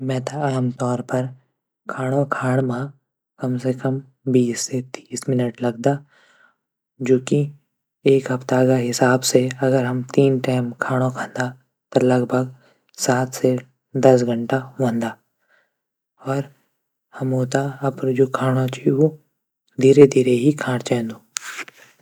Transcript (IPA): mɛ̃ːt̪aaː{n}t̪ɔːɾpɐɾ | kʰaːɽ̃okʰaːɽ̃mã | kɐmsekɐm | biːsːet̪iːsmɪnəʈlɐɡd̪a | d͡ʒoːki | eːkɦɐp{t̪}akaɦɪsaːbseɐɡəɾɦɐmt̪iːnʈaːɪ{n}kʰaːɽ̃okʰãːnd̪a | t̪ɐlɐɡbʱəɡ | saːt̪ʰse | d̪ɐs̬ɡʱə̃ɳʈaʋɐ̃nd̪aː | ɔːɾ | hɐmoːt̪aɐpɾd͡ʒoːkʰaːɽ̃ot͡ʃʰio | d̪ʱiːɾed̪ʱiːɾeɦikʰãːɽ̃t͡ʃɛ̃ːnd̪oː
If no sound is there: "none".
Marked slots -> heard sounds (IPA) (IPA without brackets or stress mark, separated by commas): m, t̪, m